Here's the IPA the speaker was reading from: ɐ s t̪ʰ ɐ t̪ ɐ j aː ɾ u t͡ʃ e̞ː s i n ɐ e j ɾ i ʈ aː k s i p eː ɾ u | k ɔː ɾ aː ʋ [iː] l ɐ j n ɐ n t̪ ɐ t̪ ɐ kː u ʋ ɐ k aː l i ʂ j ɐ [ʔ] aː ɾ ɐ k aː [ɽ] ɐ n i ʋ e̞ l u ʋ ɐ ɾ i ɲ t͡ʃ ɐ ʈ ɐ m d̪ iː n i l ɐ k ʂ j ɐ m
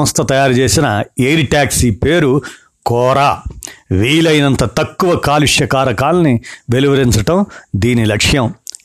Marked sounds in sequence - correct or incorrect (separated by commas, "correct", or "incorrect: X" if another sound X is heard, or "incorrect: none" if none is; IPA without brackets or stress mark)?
correct, incorrect: k, incorrect: l